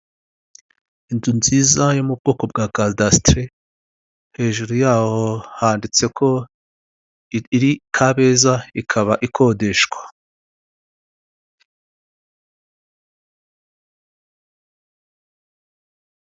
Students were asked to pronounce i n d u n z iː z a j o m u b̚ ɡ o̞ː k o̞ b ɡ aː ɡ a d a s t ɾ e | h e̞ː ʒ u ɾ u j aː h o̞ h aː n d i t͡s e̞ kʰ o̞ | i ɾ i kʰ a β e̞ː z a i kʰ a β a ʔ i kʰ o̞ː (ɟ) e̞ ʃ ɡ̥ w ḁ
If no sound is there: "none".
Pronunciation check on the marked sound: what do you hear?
d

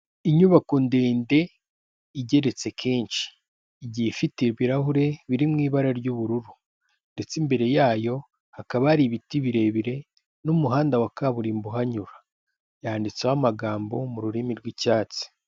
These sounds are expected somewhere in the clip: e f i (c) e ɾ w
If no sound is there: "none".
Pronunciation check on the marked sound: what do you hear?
t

